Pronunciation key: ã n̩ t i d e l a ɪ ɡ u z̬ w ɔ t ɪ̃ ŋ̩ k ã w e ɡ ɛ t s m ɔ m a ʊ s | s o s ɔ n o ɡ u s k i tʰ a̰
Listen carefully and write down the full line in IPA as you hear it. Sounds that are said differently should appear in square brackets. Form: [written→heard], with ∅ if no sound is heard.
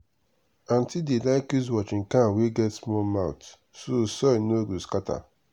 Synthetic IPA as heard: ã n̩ t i d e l a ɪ [ɡ→k] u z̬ w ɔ [t→t͡ʃ] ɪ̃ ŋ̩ k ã w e ɡ ɛ t s m ɔ m a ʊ [s→t] | s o s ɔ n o ɡ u s k [i→a] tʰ a̰